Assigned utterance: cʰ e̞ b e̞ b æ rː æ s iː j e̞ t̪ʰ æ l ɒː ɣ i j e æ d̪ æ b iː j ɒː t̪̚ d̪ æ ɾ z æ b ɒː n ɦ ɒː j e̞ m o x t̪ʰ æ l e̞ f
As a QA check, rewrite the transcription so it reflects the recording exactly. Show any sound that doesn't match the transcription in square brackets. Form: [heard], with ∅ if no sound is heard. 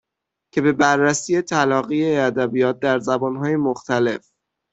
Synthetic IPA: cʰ e̞ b e̞ b æ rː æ s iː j e̞ t̪ʰ æ l ɒː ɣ i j e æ d̪ æ b [i] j ɒː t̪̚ d̪ æ ɾ z æ b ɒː n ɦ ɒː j e̞ m o x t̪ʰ æ l e̞ f

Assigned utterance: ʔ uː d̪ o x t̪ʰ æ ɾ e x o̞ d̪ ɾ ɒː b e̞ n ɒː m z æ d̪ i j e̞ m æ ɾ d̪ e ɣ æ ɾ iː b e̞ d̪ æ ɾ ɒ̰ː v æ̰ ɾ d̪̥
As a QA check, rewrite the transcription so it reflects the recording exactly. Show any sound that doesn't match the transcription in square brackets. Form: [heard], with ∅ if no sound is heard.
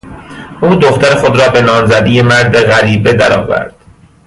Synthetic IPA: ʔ uː d̪ o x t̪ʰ æ ɾ e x o̞ d̪ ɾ ɒː b e̞ n ɒː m z æ d̪ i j e̞ m æ ɾ d̪ e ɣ æ ɾ iː b e̞ d̪ æ ɾ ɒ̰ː v æ̰ ɾ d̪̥

